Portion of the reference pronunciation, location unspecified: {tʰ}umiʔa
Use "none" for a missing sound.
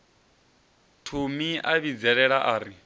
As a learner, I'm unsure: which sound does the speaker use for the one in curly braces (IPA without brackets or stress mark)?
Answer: tʰ